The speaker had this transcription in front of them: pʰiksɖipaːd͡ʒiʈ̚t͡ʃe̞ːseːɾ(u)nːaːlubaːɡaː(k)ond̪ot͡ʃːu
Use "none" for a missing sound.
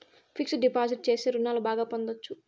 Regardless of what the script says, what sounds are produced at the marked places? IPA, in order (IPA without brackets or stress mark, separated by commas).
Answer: u, p